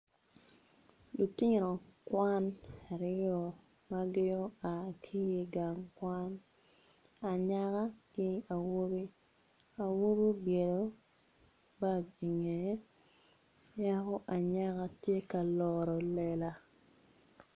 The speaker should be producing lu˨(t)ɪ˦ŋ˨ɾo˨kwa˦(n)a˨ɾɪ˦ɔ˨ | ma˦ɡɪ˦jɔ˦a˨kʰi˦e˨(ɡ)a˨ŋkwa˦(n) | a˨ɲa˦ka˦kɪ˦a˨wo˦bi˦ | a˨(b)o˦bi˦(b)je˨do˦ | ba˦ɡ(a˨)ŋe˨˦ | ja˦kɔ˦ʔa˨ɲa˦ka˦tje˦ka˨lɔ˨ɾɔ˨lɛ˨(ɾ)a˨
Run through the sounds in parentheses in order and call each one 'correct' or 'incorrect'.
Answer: correct, correct, correct, correct, incorrect, correct, incorrect, incorrect

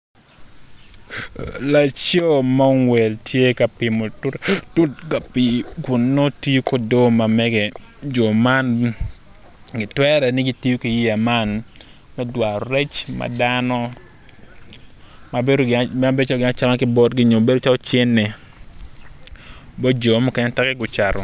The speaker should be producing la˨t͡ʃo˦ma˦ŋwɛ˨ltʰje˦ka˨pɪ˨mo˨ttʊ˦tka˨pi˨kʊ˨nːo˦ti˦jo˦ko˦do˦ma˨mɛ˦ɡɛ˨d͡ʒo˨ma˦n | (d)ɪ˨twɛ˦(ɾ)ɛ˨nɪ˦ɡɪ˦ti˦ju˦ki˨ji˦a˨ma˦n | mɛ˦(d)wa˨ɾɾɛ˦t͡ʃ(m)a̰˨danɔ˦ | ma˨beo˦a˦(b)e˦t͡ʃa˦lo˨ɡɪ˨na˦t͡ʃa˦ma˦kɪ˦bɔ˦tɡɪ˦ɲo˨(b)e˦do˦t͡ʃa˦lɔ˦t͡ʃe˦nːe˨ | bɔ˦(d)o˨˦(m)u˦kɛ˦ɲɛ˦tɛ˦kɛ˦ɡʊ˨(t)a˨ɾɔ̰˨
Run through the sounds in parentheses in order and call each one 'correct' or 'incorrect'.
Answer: incorrect, correct, correct, correct, correct, correct, incorrect, correct, incorrect

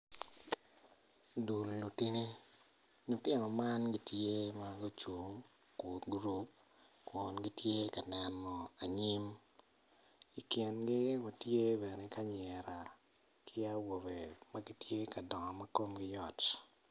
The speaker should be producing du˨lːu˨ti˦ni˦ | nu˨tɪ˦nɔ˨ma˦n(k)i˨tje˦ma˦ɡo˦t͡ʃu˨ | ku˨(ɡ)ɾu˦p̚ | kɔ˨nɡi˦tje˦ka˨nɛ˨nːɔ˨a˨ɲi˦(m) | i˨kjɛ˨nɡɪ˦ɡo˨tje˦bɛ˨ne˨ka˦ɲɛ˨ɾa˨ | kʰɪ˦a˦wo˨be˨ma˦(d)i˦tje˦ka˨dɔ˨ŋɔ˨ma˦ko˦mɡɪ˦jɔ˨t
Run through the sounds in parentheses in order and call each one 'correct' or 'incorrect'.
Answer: incorrect, correct, correct, incorrect

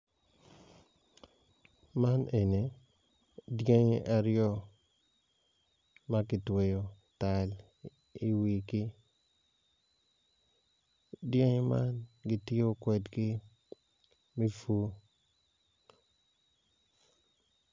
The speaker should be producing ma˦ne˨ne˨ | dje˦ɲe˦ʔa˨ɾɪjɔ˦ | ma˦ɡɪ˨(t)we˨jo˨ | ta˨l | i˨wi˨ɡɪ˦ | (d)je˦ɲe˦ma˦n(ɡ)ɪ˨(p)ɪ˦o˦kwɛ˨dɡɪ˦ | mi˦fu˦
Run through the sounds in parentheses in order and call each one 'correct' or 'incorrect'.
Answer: correct, correct, correct, incorrect

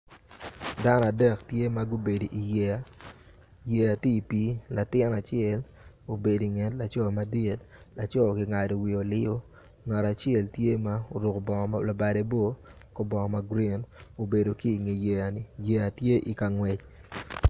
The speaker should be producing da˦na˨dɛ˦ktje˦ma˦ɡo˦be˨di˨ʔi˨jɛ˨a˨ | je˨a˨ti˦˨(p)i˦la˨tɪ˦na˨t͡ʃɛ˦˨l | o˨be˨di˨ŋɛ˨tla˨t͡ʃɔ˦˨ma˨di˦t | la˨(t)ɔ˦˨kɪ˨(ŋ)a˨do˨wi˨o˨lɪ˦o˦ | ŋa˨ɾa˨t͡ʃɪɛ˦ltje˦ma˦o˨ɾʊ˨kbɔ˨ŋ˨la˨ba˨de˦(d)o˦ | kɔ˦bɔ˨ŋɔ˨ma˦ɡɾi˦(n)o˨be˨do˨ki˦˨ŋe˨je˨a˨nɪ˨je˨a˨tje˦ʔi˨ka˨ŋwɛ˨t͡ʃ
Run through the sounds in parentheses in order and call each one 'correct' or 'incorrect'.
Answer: correct, incorrect, correct, incorrect, correct

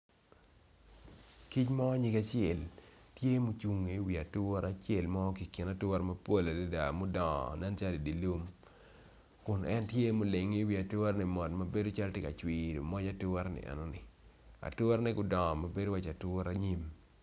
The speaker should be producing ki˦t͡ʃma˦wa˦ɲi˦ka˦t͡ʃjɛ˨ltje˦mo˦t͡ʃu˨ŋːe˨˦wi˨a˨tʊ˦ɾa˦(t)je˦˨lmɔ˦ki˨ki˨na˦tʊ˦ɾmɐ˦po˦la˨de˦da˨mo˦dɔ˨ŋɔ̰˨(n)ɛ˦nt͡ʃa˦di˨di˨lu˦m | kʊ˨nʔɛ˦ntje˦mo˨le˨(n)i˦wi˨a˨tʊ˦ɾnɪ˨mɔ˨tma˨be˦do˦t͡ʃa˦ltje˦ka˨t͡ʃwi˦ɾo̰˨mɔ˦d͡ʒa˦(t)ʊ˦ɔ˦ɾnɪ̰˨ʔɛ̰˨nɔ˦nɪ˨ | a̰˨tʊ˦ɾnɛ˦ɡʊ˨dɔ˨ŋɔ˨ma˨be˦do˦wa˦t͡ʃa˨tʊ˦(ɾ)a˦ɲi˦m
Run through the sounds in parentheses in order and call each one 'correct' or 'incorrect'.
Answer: incorrect, correct, incorrect, correct, correct

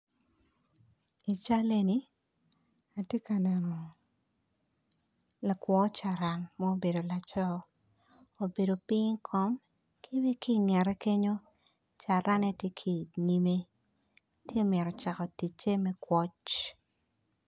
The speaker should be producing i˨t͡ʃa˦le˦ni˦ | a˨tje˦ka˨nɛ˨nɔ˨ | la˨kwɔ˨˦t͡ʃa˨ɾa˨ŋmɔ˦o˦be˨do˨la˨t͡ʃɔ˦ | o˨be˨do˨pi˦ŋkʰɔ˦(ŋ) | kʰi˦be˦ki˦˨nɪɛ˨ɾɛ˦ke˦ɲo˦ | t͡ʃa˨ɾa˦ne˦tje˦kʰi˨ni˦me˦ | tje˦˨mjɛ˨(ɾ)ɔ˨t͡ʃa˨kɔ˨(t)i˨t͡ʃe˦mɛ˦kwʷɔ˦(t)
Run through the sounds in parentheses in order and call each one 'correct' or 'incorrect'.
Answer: incorrect, correct, correct, incorrect

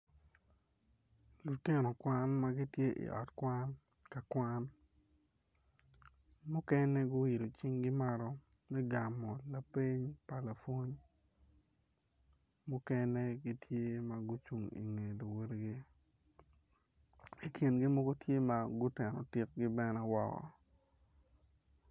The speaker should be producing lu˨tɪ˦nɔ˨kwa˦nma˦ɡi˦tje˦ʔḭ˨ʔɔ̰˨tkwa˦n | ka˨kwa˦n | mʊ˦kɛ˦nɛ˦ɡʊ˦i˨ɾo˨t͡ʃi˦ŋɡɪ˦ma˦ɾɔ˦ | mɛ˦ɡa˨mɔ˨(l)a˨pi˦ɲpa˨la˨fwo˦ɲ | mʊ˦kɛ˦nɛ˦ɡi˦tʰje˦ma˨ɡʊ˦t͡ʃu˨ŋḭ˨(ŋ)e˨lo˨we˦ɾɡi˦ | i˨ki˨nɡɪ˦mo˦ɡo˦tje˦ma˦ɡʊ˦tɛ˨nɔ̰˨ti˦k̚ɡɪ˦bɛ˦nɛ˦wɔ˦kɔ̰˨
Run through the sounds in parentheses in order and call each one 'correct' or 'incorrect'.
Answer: correct, correct

